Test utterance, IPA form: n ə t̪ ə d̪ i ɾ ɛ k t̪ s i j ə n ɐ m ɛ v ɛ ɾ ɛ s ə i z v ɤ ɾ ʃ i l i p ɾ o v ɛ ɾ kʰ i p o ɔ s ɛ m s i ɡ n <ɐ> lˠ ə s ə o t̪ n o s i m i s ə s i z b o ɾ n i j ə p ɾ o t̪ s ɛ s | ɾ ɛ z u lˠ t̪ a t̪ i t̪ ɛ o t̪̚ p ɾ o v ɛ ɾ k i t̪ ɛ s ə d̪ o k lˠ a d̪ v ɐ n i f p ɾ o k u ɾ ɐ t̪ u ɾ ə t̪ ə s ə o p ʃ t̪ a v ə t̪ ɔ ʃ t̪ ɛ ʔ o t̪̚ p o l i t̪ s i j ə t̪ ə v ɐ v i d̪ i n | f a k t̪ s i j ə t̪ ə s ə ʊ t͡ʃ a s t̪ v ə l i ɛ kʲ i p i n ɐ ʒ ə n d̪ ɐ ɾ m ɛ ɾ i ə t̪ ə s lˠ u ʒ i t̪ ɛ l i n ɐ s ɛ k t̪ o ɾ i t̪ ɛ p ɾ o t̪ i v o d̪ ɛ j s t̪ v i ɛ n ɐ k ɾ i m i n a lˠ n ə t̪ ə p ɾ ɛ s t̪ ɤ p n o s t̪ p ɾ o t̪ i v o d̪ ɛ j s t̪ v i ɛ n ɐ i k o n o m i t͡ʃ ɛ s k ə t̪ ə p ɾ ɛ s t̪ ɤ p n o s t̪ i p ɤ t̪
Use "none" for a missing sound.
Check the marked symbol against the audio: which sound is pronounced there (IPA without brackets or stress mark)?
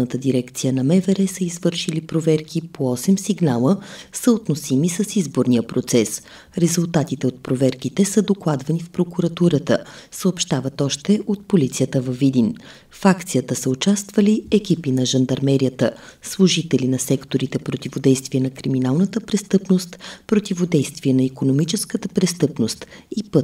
a